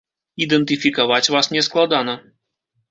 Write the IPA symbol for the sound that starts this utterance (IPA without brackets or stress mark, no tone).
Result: i